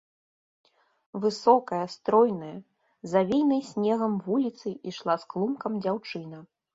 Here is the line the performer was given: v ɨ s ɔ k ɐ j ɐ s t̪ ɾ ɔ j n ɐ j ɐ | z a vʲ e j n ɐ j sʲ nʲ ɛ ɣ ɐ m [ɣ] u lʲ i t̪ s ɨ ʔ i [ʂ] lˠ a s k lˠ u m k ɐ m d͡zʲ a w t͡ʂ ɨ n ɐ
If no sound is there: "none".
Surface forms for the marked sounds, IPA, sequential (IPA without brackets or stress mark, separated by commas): v, ʂ